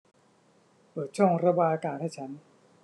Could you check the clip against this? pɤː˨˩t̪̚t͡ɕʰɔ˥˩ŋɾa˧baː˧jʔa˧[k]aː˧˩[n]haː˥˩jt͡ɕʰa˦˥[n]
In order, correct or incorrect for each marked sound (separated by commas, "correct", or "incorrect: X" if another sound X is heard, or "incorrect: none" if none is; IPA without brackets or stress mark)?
correct, correct, correct